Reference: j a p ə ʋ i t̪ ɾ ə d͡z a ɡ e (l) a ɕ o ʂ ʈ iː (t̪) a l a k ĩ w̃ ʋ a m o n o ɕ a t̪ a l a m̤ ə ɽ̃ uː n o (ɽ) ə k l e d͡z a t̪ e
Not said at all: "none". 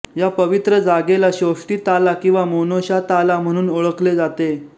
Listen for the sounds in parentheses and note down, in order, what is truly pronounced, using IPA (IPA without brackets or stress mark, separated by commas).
l, t̪, ɭ